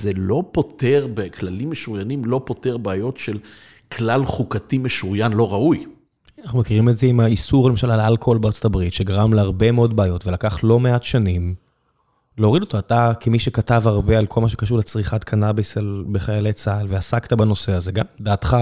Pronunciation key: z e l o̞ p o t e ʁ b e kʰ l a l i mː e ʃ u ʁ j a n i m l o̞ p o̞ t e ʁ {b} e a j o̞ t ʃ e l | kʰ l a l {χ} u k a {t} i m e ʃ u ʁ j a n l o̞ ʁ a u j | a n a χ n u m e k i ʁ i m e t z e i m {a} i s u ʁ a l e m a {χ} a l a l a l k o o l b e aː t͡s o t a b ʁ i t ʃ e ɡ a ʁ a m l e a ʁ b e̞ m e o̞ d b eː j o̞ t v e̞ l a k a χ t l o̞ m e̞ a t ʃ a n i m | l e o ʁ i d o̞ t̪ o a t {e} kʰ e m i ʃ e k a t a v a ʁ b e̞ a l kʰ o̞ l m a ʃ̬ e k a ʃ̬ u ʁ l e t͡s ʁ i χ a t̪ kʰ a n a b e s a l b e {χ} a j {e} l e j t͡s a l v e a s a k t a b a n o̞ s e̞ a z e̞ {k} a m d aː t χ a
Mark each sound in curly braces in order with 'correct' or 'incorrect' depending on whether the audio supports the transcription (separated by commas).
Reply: correct, correct, correct, correct, incorrect, incorrect, correct, incorrect, incorrect